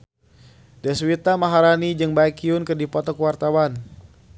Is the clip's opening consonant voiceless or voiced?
voiced